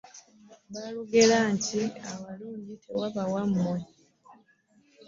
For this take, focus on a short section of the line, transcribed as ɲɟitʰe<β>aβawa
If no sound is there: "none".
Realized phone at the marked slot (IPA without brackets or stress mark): w